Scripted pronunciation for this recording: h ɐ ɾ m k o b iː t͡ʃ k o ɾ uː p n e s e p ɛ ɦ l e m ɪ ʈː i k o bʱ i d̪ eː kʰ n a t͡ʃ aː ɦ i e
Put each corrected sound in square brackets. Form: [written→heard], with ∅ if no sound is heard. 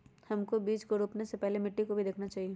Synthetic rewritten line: h ɐ [ɾ→∅] m k o b iː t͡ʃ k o ɾ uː p n e s e p ɛ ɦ l e m ɪ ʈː i k o bʱ i d̪ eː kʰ n a t͡ʃ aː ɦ i e